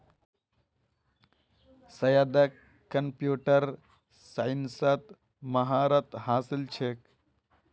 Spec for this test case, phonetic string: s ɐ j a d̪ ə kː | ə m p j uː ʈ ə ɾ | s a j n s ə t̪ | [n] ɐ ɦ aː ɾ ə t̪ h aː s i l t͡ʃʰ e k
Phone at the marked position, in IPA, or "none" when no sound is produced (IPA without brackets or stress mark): m